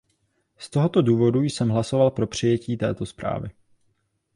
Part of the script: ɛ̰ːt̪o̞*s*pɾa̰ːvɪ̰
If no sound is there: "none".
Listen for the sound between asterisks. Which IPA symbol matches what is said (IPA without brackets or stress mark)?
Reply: s